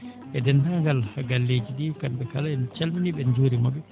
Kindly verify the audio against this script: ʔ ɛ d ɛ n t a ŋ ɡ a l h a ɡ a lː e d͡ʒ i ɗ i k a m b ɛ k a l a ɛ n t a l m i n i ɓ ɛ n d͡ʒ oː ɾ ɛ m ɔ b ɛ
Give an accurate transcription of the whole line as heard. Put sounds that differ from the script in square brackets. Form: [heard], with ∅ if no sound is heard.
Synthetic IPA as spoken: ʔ ɛ d ɛ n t a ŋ ɡ a l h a ɡ a lː e d͡ʒ i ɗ i k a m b ɛ k a l a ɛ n [t͡ʃ] a l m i n i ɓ ɛ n d͡ʒ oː ɾ [i] m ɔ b ɛ